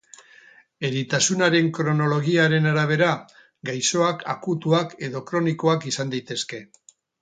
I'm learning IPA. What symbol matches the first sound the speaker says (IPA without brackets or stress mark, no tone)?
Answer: e̞